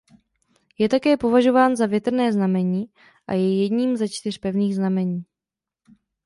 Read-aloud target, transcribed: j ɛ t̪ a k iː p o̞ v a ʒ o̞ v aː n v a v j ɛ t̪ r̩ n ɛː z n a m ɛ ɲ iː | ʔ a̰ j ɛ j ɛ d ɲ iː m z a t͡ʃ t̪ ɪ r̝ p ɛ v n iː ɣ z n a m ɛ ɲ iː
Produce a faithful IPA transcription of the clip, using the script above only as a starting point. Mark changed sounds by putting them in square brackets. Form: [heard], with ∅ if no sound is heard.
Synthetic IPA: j ɛ t̪ a k [ɛː] p o̞ v a ʒ o̞ v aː n [z] a v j ɛ t̪ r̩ n ɛː z n a m ɛ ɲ iː | ʔ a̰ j ɛ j ɛ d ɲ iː m z a t͡ʃ t̪ ɪ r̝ p ɛ v n iː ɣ z n a m ɛ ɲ iː

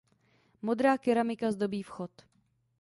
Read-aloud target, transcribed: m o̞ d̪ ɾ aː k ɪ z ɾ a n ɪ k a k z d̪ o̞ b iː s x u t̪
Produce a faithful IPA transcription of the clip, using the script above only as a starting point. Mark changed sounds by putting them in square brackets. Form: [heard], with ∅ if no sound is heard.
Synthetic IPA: m o̞ d̪ ɾ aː k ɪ [∅] ɾ a [m] ɪ k a [∅] z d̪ o̞ b iː [f] x [o] t̪

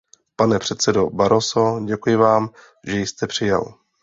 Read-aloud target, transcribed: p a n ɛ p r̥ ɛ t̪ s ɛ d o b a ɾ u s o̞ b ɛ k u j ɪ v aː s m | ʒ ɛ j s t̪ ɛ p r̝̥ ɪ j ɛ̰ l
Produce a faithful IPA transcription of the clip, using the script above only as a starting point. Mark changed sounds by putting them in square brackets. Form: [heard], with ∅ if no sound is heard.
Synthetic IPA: p a n ɛ p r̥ ɛ t̪ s ɛ d o b a ɾ [o] s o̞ [ɟ] ɛ k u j ɪ v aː [∅] m | ʒ ɛ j s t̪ ɛ p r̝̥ ɪ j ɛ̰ l

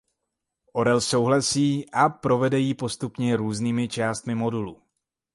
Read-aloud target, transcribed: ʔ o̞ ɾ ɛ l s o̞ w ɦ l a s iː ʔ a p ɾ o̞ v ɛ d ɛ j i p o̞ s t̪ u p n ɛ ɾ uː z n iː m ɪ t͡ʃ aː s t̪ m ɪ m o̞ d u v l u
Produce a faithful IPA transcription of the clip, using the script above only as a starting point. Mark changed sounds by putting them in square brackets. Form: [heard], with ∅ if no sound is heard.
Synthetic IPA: ʔ o̞ ɾ ɛ l s o̞ w ɦ l a s iː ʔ a p ɾ o̞ v ɛ d ɛ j i p o̞ s t̪ u p [ɲ] ɛ ɾ uː z n iː m ɪ t͡ʃ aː s t̪ m ɪ m o̞ d u [∅] l u

